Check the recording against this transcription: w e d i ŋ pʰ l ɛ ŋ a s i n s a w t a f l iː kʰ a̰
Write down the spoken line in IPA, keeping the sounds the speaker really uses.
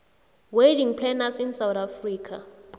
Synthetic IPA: w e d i ŋ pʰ l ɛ n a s i n s a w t a f r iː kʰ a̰